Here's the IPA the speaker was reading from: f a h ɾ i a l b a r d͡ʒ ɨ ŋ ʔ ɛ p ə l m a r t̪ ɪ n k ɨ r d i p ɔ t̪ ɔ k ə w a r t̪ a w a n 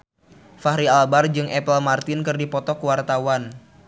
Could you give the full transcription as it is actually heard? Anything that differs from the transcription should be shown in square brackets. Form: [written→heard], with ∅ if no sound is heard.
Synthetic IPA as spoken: f a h ɾ i a l b a r d͡ʒ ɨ ŋ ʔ ɛ p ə l m a r t̪ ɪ n k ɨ r d i p ɔ t̪ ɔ k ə w a r t̪ a w a n